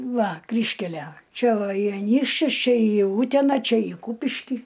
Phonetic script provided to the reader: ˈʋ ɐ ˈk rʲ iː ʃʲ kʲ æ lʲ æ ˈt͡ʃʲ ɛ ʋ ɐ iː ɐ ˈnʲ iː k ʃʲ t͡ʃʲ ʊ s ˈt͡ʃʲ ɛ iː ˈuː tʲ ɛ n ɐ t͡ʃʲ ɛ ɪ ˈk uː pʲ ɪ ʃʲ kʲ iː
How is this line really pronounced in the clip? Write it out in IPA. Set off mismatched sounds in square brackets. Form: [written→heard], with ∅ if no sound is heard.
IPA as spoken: ˈʋ ɐ ˈk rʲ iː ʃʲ kʲ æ lʲ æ ˈt͡ʃʲ ɛ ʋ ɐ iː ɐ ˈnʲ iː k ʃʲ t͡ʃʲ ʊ s ˈt͡ʃʲ ɛ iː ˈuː tʲ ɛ n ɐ t͡ʃʲ ɛ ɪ ˈk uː pʲ ɪ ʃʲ kʲ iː